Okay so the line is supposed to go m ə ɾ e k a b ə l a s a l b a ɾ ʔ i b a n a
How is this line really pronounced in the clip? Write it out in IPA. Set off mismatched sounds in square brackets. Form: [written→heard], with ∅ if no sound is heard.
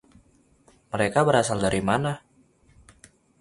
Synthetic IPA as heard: m ə ɾ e k a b ə [l→ɾ] a s a l [b→d] a ɾ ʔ i [b→m] a n a